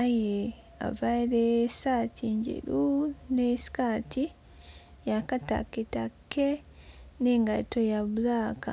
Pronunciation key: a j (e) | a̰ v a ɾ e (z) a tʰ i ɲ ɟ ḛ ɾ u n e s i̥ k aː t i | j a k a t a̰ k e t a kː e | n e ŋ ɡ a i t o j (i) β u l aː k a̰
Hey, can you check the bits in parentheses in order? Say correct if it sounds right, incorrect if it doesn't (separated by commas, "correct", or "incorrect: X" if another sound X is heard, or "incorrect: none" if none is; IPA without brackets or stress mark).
correct, incorrect: s, incorrect: a